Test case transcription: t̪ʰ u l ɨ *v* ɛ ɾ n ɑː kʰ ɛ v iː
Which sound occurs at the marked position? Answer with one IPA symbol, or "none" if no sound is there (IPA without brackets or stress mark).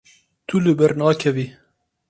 b